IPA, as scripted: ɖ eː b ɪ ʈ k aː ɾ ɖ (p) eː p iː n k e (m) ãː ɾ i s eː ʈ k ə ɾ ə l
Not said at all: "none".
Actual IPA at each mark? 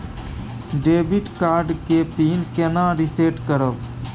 k, n

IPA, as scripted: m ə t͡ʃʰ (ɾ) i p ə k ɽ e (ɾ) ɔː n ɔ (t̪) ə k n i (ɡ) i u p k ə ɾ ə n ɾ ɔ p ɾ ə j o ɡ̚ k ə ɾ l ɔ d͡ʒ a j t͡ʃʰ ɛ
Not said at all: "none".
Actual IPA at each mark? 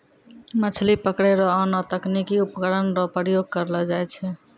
l, ɾ, t̪, k

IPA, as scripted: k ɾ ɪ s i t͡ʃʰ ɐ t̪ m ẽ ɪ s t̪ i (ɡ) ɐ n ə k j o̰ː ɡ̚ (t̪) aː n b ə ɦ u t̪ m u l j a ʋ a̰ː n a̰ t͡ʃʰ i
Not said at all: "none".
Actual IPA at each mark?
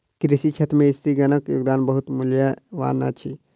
ɡ, d̪

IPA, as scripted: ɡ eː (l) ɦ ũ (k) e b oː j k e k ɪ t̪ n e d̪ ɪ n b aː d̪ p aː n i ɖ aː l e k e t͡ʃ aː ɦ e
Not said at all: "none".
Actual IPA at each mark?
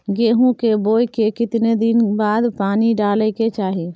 none, k

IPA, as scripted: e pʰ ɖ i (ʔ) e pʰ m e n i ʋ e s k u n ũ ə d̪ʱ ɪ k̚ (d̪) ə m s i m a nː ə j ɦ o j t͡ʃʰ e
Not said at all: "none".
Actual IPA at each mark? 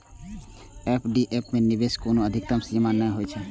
ʔ, t̪

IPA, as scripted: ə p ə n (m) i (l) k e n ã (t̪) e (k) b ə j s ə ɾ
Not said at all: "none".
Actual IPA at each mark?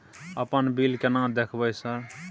b, l, d̪, kʰ

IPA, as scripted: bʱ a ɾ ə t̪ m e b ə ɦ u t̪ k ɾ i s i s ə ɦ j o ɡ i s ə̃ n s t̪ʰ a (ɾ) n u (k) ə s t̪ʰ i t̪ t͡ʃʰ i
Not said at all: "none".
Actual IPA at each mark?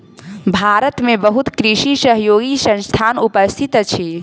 none, p

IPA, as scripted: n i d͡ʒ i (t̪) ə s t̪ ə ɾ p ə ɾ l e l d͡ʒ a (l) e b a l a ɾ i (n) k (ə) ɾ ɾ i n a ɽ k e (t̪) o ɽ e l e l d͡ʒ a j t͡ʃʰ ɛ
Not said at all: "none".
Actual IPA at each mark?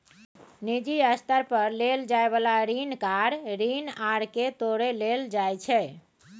none, none, n, a, t̪

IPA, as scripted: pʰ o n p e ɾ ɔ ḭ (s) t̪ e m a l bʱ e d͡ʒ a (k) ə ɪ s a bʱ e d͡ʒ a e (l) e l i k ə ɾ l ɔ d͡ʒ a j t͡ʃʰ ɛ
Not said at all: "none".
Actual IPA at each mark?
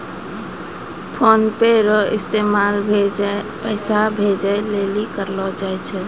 s, p, l

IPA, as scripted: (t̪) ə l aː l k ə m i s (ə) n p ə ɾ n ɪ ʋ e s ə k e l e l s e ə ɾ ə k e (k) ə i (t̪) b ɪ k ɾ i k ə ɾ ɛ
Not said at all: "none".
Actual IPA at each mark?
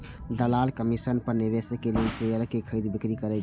d̪, ə, kʰ, d̪

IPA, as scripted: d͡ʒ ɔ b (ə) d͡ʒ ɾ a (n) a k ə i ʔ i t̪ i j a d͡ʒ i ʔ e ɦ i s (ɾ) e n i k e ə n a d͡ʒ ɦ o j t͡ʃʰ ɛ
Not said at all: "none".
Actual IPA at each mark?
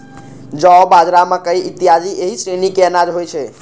a, m, ɾ

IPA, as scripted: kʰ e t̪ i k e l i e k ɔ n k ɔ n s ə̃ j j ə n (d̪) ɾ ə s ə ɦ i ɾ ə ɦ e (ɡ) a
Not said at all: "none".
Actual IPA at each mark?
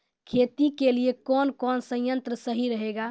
t̪, ɡ

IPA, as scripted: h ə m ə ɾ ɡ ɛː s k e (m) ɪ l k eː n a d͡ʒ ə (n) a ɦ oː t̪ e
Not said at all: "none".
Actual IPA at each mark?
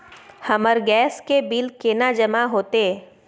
b, m

